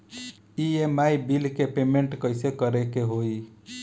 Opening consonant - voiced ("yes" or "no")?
yes